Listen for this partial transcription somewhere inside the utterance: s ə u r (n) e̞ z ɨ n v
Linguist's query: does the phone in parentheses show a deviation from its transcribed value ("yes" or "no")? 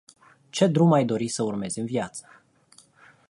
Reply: yes